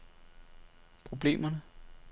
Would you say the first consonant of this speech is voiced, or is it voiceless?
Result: voiceless